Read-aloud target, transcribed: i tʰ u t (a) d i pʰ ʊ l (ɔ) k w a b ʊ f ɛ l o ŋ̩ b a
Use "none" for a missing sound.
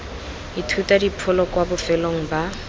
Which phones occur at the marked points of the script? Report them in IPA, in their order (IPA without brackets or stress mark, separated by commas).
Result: a, ɔ